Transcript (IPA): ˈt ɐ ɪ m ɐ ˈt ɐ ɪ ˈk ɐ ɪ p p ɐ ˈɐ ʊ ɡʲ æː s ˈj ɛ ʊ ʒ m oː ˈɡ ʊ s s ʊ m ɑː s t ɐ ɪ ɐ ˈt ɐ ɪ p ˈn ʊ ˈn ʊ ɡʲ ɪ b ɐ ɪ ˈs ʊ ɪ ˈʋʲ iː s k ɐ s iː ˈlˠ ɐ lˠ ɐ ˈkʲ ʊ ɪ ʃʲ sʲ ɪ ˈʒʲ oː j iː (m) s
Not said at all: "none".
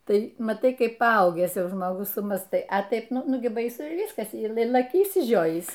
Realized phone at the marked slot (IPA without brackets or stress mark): none